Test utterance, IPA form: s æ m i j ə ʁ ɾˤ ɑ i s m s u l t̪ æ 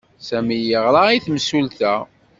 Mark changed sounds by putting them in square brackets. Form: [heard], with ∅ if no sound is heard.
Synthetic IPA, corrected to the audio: s æ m i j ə ʁ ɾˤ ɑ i [θ] m s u l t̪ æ